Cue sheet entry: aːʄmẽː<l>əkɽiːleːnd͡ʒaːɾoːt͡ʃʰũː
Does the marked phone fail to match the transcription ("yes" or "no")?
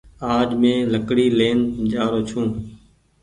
no